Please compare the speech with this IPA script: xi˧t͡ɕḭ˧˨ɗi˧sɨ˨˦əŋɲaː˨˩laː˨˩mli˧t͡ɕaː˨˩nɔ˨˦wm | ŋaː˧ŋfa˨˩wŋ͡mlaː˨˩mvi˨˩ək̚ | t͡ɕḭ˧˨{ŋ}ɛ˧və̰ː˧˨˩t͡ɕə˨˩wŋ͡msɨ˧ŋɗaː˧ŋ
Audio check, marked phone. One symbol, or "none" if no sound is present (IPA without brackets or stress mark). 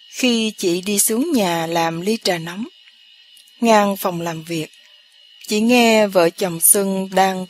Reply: ŋ